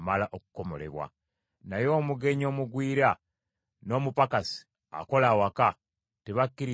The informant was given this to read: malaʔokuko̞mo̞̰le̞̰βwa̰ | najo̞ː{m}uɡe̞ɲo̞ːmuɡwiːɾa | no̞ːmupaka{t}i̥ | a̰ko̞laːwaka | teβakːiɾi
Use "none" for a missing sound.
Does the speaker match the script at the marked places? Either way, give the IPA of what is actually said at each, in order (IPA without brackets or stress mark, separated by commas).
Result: m, s